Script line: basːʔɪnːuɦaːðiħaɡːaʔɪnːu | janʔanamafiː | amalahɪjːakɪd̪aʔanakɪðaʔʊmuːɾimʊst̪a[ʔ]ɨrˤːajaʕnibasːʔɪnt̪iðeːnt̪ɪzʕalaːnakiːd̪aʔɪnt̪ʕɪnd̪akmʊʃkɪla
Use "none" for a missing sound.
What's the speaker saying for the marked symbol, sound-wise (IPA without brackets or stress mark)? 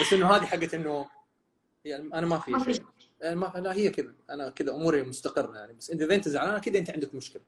q